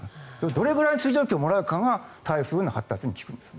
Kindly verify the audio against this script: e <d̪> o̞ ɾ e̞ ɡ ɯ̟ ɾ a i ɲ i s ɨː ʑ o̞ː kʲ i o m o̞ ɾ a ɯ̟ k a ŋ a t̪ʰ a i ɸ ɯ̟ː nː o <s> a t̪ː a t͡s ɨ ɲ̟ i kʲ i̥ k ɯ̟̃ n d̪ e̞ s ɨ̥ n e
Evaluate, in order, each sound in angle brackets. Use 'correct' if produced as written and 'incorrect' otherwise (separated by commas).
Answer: correct, incorrect